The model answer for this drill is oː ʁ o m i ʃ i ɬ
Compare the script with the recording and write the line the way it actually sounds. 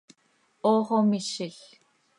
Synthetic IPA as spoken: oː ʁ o m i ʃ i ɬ